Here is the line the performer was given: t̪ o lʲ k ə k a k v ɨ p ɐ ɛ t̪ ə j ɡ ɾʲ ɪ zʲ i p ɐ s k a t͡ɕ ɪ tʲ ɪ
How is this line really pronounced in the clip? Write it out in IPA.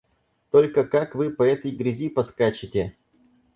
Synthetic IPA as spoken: t̪ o lʲ k ə k a k v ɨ p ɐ ɛ t̪ ə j ɡ ɾʲ ɪ zʲ i p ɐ s k a t͡ɕ ɪ tʲ ɪ